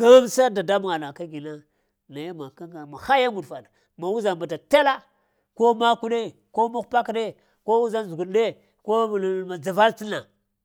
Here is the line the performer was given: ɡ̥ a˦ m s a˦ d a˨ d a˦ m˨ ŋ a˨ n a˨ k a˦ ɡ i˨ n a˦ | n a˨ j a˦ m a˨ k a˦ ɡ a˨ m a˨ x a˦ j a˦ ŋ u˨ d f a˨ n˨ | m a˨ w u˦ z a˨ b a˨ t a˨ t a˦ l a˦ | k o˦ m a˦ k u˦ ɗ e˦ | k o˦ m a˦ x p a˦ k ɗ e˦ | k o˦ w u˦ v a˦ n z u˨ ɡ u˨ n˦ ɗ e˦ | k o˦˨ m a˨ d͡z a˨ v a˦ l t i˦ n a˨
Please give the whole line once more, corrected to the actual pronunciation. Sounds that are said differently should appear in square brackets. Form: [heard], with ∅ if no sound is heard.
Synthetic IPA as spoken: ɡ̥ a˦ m s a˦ d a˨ d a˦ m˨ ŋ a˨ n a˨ k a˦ ɡ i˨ n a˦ | n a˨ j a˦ m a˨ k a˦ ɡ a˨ m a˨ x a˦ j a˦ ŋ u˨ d f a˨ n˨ | m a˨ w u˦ z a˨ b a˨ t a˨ t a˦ l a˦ | k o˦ m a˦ k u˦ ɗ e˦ | k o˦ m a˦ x p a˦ k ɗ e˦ | k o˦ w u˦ [z] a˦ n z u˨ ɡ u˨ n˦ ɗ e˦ | k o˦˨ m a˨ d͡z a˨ v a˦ l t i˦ n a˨

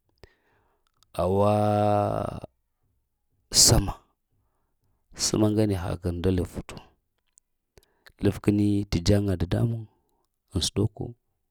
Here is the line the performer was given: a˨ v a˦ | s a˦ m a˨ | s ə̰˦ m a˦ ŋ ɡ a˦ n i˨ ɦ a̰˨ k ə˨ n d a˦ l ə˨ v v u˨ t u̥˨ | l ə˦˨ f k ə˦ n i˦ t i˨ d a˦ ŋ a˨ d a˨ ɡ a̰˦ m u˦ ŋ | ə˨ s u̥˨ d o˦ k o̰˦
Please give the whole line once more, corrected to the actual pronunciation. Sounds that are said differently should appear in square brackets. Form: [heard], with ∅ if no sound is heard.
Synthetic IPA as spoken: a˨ [w] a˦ | s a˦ m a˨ | s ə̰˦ m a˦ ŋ ɡ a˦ n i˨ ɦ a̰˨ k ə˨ n d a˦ l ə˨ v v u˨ t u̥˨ | l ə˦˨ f k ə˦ n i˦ t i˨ [d͡ʒ] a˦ ŋ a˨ d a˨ [d] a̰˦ m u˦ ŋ | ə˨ s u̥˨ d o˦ k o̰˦

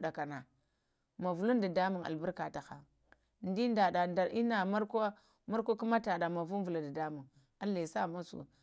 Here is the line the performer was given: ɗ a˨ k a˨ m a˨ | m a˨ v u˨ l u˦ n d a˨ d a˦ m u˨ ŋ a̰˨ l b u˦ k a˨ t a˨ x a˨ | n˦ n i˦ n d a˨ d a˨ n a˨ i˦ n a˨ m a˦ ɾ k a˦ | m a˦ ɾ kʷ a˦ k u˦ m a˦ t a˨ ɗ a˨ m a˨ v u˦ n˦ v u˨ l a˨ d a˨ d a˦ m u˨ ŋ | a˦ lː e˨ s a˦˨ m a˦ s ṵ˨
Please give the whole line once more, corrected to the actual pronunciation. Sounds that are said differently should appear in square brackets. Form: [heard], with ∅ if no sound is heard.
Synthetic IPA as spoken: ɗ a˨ k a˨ [n] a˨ | m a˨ v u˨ l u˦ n d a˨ d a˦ m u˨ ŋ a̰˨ l b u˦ k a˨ t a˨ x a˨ | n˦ [d] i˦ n d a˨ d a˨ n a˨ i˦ n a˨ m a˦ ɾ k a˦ | m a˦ ɾ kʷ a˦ k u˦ m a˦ t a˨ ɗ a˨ m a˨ v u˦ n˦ v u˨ l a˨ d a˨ d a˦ m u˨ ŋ | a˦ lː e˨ s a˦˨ m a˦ s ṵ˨

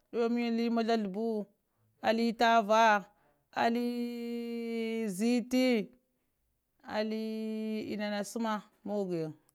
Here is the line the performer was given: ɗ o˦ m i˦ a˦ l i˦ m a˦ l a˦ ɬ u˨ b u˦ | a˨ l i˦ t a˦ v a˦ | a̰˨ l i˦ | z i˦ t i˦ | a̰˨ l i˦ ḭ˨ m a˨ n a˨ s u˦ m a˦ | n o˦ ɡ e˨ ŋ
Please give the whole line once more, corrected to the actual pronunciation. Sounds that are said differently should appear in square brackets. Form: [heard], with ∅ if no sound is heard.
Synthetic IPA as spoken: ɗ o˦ m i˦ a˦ l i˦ m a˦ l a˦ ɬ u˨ b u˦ | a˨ l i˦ t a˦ v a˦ | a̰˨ l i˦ | z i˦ t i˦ | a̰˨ l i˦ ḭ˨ [n] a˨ n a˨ s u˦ m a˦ | [m] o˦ ɡ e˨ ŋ

